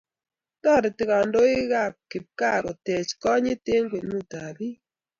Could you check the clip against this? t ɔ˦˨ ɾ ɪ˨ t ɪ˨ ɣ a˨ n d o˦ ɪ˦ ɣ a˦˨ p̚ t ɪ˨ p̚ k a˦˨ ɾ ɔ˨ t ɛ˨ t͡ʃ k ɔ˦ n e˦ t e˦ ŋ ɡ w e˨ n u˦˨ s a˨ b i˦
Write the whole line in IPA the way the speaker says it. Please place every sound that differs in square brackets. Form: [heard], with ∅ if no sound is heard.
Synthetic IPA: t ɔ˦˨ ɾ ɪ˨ t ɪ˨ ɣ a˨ n d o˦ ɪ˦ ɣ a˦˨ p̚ [k] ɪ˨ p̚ k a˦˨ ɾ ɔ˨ t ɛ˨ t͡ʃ k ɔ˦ [ɲ] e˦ t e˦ ŋ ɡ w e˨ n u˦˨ [t] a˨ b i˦